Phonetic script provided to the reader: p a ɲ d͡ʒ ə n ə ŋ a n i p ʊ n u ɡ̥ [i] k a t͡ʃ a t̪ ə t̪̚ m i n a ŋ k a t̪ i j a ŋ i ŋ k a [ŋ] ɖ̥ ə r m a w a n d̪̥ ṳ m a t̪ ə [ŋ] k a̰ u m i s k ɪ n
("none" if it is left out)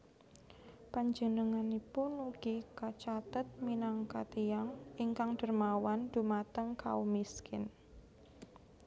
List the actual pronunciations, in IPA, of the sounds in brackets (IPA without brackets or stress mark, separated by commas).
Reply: i, ŋ, ŋ